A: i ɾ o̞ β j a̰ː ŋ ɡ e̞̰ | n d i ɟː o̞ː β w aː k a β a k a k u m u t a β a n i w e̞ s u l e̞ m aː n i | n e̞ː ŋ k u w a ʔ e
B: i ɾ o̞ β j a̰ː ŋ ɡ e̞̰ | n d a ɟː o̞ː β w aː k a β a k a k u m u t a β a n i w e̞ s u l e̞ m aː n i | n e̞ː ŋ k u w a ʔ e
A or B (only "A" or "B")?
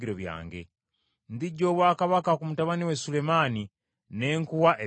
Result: A